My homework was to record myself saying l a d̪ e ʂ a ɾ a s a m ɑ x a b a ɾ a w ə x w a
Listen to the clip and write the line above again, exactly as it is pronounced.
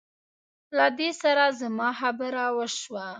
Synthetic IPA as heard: l a d̪ e s a ɾ a z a m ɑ x a b ə ɾ a w ə ʃ w a